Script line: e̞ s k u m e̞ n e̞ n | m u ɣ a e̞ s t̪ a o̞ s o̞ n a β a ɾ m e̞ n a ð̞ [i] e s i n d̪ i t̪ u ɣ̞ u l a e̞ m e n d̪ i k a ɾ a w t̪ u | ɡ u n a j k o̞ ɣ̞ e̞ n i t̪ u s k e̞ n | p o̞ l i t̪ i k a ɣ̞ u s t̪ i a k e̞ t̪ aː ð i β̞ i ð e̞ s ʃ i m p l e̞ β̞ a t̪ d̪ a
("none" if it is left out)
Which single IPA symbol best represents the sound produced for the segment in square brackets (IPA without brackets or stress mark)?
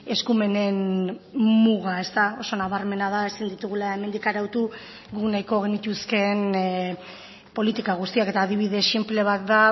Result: a